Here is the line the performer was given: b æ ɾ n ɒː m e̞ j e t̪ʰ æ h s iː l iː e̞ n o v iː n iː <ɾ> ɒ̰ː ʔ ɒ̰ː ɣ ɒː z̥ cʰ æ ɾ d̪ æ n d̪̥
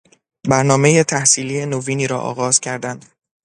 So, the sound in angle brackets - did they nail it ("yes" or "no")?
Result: yes